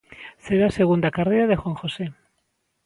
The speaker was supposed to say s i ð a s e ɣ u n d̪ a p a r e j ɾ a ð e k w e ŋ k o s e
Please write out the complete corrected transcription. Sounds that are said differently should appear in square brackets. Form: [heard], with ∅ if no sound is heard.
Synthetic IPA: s [e] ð a s e ɣ u n d̪ a [k] a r e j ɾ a ð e [x] w [a] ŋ [x] o s e